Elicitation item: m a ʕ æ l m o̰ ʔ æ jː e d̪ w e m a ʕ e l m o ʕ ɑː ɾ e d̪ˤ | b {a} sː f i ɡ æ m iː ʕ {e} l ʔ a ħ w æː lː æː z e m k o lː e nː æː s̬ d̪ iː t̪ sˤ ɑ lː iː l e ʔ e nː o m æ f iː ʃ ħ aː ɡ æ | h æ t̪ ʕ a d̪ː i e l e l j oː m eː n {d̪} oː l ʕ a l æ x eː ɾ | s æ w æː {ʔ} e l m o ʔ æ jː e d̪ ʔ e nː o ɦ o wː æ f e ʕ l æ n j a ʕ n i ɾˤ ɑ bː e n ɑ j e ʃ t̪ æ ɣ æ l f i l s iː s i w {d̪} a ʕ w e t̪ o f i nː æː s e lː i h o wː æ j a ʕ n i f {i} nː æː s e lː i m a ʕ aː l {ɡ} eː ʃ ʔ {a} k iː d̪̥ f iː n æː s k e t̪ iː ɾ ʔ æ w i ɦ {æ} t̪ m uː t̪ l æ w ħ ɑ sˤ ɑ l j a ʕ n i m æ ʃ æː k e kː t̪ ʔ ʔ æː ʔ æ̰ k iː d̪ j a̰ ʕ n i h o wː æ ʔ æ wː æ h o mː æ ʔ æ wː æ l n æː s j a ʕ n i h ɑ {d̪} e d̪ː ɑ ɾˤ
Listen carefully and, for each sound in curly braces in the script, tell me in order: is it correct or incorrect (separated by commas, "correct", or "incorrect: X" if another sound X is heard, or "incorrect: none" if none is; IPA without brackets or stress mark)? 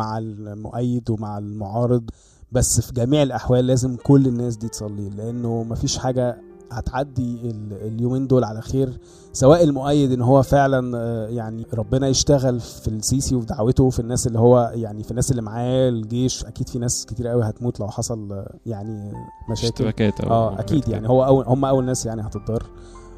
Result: incorrect: æ, correct, correct, correct, correct, correct, correct, incorrect: æ, correct, incorrect: t̪